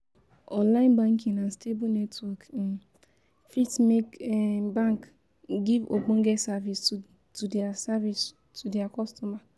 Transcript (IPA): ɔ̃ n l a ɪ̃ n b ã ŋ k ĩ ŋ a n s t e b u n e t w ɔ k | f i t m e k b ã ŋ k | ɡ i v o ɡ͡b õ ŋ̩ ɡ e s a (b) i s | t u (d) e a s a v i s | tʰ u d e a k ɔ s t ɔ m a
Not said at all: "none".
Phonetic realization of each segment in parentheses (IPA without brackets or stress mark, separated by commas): v, d